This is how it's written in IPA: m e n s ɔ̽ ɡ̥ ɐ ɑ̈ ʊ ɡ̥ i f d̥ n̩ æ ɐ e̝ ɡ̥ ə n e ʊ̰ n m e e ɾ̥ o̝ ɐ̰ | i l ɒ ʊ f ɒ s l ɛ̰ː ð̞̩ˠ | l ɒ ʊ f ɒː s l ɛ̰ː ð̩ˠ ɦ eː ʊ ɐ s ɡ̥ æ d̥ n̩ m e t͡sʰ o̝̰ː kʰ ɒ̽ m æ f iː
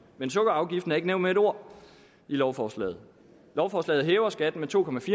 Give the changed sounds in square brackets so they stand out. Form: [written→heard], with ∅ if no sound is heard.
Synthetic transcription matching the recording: m e n s ɔ̽ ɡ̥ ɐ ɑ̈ ʊ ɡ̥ i f d̥ n̩ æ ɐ e̝ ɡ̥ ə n e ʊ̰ n m e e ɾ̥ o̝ ɐ̰ | i l ɒ ʊ f ɒ s l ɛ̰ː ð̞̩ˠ | l ɒ ʊ f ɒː s l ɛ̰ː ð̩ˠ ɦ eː ʊ ɐ s ɡ̥ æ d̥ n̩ m e t͡sʰ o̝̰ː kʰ ɒ̽ m æ f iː